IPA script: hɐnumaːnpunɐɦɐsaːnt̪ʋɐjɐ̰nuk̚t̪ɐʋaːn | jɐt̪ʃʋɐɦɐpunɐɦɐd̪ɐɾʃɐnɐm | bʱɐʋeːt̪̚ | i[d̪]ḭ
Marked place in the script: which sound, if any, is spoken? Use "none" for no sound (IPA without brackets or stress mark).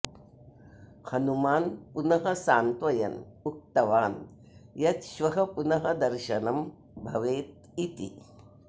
t̪